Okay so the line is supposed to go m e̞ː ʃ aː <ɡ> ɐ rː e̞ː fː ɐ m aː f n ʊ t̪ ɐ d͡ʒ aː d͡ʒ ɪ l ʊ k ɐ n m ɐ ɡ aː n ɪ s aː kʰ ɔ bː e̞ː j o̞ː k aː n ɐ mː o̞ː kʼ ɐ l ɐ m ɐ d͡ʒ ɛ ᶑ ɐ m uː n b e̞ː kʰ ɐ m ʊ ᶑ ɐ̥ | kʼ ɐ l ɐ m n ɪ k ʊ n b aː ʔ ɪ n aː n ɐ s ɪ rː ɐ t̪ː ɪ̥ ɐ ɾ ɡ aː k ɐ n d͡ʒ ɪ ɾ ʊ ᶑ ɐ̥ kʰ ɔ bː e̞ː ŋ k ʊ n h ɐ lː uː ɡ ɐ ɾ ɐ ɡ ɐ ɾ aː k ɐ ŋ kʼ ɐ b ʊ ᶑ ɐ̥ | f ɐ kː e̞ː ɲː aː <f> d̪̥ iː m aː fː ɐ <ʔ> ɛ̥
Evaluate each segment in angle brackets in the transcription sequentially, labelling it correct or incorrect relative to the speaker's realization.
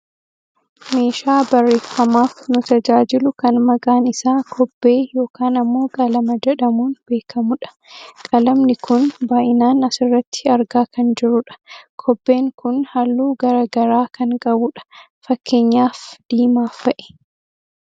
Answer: incorrect: b, correct, correct

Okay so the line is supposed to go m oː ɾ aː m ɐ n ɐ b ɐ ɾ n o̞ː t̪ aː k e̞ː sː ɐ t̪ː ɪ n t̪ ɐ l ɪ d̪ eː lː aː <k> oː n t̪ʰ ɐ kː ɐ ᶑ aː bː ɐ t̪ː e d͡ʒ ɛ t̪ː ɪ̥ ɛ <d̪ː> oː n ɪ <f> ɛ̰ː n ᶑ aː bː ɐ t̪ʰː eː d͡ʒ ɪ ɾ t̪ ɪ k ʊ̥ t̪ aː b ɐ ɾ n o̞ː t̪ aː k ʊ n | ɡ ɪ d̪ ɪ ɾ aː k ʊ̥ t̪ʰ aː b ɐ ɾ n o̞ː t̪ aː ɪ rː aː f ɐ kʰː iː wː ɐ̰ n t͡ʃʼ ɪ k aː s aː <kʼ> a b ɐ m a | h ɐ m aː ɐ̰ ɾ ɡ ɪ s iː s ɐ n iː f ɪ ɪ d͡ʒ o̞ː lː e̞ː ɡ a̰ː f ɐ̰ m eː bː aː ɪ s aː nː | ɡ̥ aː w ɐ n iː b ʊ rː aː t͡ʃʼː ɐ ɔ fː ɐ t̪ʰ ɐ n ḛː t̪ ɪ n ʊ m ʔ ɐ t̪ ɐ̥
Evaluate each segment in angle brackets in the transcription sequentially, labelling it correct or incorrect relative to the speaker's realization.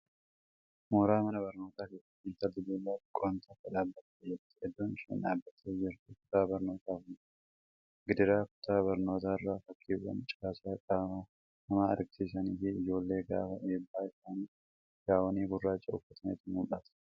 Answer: incorrect: kʼ, correct, incorrect: ʃ, correct

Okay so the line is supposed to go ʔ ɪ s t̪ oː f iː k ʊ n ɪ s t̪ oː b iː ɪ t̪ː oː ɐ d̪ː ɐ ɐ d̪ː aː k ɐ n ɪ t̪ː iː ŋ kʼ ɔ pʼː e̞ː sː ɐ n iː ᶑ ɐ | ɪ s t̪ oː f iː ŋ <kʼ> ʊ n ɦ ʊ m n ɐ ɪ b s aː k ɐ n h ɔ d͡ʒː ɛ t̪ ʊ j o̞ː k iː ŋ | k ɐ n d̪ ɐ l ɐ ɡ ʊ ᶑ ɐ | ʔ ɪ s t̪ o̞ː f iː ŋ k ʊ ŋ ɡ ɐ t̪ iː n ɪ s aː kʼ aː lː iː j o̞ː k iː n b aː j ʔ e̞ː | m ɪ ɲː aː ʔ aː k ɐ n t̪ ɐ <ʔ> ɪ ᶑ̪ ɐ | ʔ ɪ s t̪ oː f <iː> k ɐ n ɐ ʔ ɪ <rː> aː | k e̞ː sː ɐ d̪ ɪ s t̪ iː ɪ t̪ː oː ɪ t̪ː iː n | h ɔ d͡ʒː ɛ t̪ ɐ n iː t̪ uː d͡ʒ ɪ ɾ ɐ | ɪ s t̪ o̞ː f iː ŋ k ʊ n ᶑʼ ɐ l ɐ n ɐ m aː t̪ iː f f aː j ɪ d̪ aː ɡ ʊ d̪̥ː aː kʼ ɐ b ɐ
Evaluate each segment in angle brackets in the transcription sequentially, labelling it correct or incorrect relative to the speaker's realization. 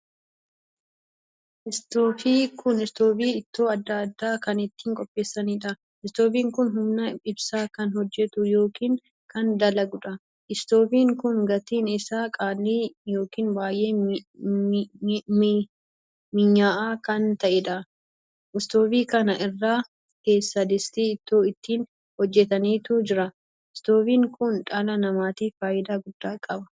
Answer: incorrect: k, correct, correct, correct

